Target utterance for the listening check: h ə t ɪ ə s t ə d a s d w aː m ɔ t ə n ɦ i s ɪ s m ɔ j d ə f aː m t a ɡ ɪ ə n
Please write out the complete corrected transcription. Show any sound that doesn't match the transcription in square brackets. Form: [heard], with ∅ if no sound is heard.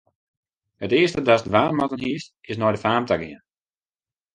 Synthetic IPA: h ə t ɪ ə s t ə d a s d [ʋ] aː m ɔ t ə n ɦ i s ɪ s [n] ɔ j d ə f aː m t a ɡ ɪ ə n